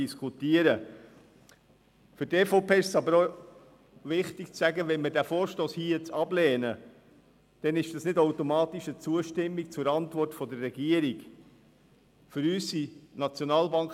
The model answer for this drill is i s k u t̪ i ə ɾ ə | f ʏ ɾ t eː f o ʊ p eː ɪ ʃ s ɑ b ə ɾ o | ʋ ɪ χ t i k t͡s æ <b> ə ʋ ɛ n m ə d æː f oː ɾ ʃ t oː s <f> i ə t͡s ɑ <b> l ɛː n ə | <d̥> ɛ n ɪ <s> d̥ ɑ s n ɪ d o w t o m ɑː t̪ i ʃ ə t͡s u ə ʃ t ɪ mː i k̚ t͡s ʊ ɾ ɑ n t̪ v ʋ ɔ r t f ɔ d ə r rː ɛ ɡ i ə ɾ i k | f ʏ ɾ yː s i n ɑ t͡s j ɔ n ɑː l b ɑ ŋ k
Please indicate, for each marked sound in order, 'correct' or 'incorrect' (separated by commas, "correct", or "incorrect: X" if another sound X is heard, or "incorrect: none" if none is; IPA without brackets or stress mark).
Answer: incorrect: ɡ, incorrect: h, correct, correct, incorrect: ʃ